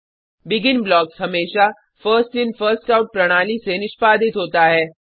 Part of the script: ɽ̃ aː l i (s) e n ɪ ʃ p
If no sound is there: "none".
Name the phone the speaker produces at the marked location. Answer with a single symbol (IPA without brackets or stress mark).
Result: s